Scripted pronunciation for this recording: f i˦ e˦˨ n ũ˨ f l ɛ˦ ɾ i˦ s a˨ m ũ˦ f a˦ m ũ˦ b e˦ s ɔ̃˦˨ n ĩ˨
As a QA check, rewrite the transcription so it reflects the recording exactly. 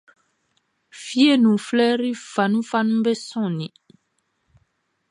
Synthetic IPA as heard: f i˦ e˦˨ n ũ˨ f l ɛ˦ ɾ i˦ f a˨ n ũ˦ f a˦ n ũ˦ b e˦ s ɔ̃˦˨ n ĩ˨